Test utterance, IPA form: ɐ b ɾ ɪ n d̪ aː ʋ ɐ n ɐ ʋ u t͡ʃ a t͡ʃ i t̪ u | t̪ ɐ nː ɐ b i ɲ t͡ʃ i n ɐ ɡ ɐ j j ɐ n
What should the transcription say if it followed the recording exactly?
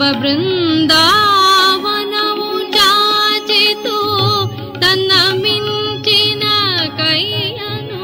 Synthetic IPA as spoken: ɐ b ɾ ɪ n d̪ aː ʋ ɐ n ɐ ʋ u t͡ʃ a t͡ʃ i t̪ u | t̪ ɐ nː ɐ m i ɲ t͡ʃ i n ɐ k ɐ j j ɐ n